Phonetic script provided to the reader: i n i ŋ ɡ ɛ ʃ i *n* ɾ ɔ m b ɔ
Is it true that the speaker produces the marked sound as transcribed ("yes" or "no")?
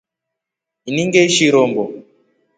no